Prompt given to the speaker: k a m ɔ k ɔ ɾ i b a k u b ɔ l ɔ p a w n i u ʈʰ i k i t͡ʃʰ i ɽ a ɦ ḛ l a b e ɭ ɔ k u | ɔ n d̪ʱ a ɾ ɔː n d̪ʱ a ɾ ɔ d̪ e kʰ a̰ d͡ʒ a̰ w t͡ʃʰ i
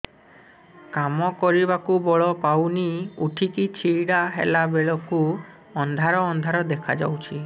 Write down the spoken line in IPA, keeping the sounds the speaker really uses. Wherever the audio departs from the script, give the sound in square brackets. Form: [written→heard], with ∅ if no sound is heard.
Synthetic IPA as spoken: k a m ɔ k ɔ ɾ i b a k u b ɔ [l→ɭ] ɔ p a w n i u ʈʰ i k i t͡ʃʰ i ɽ a ɦ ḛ l a b e ɭ ɔ k u | ɔ n d̪ʱ a ɾ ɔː n d̪ʱ a ɾ ɔ d̪ e kʰ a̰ d͡ʒ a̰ w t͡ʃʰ i